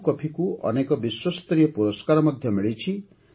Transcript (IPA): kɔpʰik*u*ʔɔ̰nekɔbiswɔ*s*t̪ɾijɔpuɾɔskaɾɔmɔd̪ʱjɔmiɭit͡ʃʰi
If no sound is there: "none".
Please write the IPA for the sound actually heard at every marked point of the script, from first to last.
u, s

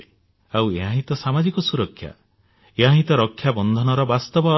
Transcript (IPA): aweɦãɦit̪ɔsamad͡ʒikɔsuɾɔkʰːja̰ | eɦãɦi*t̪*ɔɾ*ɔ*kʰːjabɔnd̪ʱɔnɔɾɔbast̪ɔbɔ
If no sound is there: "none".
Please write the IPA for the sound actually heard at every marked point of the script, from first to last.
t̪, ɔ

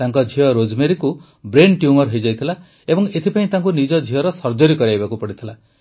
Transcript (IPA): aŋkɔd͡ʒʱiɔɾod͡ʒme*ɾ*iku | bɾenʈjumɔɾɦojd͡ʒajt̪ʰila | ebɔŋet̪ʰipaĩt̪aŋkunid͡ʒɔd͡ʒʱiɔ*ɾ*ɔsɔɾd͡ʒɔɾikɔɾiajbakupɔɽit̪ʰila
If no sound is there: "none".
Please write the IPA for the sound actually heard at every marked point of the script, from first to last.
ɾ, ɾ

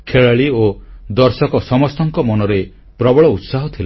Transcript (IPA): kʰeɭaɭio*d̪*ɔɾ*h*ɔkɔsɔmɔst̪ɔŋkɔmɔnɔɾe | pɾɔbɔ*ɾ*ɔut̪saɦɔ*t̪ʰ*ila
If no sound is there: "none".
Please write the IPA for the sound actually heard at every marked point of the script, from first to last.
d̪, s, ɭ, t̪ʰ

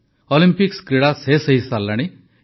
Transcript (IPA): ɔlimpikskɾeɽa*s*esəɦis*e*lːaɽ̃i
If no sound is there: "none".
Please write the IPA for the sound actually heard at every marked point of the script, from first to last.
s, a

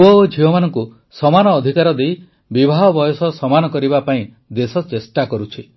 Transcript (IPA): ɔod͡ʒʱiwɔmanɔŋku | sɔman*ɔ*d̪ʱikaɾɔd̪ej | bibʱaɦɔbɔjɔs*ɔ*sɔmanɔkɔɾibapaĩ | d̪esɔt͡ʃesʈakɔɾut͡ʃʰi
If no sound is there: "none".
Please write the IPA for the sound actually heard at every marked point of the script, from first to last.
ɔː, ɔ

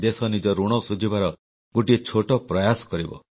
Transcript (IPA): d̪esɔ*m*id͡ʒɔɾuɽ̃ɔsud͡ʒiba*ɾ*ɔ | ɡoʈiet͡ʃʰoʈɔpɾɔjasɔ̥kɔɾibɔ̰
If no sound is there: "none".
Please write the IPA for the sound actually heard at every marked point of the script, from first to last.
n, ɾ

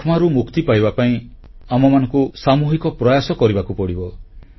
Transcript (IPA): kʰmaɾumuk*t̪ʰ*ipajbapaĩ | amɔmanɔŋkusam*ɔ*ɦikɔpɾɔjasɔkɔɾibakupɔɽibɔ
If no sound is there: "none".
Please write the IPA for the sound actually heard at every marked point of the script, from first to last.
t̪, u

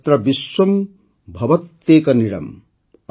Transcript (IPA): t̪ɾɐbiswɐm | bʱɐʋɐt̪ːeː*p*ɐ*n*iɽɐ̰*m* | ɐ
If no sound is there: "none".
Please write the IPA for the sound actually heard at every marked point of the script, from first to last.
k, n, m

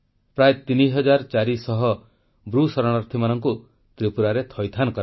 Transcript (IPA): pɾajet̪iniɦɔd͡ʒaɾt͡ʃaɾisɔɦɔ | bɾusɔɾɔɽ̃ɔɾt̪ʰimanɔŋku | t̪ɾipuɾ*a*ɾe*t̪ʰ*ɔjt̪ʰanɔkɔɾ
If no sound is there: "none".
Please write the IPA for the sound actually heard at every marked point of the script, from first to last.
a, t̪ʰ

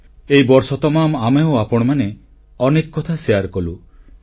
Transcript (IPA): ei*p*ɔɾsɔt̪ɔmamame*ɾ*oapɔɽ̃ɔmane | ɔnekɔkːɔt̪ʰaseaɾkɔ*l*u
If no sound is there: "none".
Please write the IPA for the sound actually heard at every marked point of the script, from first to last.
b, none, l

